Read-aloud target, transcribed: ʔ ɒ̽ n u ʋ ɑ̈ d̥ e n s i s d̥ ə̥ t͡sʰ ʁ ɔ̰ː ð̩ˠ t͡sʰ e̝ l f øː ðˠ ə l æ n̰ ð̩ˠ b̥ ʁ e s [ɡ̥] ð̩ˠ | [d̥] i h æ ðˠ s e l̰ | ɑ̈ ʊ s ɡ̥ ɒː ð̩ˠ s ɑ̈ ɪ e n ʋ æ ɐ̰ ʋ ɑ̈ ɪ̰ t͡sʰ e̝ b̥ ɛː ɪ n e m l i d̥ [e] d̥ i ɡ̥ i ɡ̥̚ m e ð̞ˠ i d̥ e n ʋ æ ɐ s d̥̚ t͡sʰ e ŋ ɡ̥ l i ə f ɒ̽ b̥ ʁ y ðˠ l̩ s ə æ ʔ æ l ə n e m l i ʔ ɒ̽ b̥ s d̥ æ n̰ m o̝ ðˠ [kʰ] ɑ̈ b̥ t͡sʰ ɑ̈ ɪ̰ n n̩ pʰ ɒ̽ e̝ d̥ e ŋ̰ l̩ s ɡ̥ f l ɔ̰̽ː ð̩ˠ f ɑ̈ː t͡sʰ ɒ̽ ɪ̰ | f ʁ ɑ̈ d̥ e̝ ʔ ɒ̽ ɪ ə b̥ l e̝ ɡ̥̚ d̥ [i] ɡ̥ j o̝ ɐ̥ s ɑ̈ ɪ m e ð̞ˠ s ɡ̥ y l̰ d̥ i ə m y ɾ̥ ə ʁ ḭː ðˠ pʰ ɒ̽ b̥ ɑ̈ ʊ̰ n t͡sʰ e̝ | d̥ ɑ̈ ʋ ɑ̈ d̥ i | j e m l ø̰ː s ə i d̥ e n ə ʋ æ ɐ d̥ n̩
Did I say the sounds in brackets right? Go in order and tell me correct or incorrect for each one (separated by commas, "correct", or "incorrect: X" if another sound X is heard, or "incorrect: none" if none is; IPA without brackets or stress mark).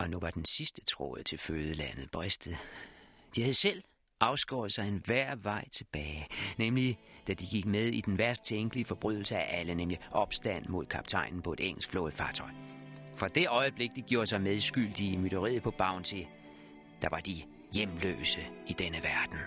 incorrect: d̥, correct, incorrect: æ, correct, correct